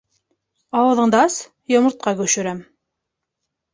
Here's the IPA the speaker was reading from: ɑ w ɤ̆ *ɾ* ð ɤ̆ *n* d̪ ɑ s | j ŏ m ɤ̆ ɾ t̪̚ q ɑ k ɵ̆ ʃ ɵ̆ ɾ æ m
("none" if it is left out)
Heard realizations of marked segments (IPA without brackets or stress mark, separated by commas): none, ɴ